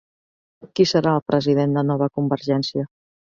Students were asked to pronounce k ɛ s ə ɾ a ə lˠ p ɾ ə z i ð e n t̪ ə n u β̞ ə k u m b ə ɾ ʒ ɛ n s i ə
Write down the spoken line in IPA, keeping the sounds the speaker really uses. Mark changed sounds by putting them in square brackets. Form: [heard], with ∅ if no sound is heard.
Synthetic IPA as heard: k [i] s ə ɾ a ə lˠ p ɾ ə z i ð e n [d̪] ə n [ɔ] β̞ ə k u m b ə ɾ ʒ ɛ n s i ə